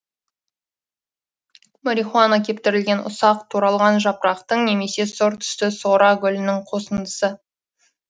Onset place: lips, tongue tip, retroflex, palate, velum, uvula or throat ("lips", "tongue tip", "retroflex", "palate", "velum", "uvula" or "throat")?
lips